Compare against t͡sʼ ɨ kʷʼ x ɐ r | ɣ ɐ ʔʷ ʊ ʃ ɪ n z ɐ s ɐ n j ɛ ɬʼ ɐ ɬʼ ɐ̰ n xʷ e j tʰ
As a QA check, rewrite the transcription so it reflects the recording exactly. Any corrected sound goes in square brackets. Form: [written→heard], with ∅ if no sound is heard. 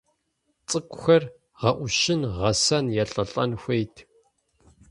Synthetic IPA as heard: t͡sʼ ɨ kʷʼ x ɐ r | [ɣ→ʁ] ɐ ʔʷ ʊ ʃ ɪ n [z→ʁ] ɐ s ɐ n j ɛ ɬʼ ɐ ɬʼ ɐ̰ n xʷ e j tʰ